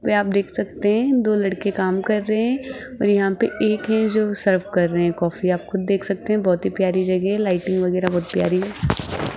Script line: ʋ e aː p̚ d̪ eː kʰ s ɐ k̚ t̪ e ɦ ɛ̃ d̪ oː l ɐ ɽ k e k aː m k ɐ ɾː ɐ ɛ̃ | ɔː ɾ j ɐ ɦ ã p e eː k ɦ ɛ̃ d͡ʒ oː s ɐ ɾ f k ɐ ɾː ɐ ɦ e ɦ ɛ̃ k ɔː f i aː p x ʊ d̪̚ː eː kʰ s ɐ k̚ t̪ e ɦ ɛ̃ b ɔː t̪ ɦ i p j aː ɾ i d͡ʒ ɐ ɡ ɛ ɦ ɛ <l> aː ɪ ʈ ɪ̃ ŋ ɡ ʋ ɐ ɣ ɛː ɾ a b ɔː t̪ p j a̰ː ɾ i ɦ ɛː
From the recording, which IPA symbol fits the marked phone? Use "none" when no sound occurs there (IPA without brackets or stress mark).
l